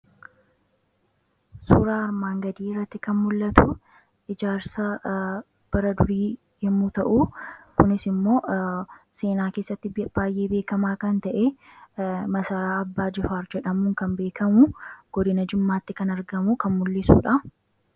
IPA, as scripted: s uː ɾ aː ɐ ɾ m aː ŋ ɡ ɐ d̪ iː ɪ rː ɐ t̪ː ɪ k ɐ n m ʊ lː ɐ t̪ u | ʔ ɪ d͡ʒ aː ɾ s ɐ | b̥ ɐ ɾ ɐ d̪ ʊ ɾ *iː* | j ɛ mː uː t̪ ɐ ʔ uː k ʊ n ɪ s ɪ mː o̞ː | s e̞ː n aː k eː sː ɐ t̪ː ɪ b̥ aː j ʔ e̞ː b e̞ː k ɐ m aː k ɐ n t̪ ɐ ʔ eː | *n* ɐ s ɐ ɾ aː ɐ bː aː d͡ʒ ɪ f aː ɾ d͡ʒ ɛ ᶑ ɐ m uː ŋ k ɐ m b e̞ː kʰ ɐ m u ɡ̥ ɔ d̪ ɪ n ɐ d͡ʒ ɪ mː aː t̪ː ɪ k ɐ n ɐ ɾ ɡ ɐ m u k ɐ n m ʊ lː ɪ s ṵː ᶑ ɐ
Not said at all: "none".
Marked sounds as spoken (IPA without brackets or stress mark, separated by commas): iː, m